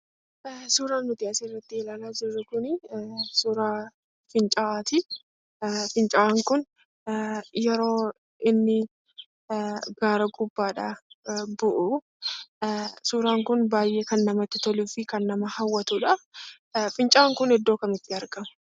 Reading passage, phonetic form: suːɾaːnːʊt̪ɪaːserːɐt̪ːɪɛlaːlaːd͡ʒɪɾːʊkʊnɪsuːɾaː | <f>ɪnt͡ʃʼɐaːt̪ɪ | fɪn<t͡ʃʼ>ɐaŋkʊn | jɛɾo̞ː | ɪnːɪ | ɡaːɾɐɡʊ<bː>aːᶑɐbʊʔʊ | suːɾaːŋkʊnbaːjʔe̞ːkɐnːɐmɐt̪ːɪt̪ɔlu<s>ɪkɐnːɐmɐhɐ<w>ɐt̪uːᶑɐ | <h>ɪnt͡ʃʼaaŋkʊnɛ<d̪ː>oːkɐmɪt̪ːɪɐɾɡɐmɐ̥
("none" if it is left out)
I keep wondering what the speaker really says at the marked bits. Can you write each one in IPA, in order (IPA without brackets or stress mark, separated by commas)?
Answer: f, t͡ʃʼ, bː, f, wː, f, d̪ː